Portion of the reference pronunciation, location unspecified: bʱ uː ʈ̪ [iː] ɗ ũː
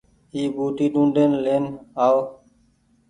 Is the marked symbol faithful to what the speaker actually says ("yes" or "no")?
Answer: yes